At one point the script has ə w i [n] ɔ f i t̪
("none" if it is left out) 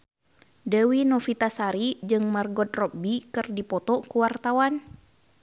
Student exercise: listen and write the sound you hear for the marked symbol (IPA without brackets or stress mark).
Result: n